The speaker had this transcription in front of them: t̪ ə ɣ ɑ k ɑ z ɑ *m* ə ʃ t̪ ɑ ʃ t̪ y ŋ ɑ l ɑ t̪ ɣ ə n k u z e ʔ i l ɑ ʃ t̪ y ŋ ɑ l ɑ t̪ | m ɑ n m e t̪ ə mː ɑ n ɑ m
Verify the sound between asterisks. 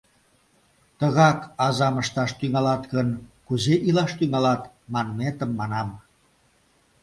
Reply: correct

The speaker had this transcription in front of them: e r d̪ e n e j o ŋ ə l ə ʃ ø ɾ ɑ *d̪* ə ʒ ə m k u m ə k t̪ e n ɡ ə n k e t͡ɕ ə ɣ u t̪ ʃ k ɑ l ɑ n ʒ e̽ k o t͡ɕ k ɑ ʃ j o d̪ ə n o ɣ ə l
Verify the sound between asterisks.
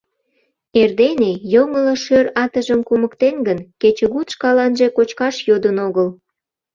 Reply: incorrect: t̪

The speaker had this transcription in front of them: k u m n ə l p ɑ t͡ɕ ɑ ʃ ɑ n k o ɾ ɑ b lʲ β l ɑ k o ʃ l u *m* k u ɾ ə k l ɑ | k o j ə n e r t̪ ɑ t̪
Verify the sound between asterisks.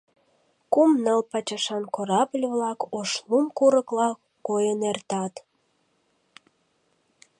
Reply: correct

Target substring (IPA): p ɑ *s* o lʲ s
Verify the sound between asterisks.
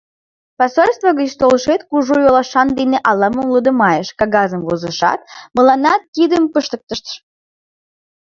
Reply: correct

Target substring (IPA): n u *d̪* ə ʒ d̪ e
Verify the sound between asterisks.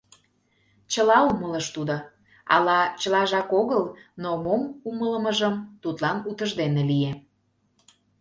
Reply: incorrect: t̪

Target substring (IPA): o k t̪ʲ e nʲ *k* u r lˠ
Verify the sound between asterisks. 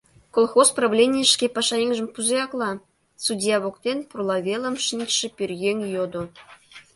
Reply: incorrect: p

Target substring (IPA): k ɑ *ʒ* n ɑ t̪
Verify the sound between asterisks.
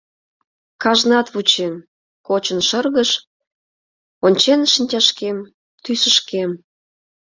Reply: correct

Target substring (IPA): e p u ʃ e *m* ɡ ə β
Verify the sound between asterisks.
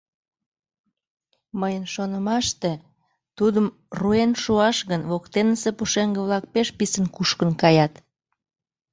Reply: incorrect: ŋ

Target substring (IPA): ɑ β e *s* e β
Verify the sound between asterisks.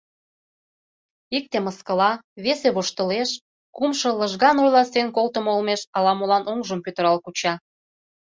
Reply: correct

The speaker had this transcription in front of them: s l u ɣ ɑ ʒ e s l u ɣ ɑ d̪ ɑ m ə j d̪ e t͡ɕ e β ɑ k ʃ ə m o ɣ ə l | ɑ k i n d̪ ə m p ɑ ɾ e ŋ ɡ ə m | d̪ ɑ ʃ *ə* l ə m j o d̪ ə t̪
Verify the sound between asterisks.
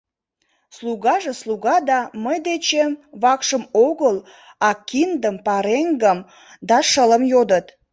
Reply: correct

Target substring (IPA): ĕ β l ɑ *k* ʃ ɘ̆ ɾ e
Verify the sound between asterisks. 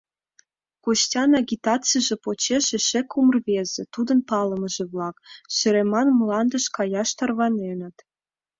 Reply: correct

